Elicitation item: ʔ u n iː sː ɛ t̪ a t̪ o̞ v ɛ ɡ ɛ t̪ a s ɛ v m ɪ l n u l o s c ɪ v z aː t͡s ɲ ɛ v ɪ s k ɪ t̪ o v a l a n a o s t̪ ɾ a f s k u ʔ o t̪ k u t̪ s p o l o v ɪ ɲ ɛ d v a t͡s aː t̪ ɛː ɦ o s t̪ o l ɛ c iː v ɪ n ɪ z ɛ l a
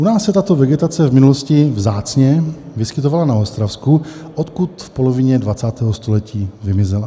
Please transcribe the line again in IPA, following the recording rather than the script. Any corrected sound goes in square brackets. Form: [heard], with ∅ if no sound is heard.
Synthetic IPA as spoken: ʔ u n [aː] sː ɛ t̪ a t̪ o̞ v ɛ ɡ ɛ t̪ a [t͡s] ɛ v m ɪ [∅] n u l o s c ɪ v z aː t͡s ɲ ɛ v ɪ s k ɪ t̪ o v a l a n a o s t̪ ɾ a f s k u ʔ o t̪ k u t̪ [f] p o l o v ɪ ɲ ɛ d v a t͡s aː t̪ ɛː ɦ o s t̪ o l ɛ c iː v ɪ [m] ɪ z ɛ l a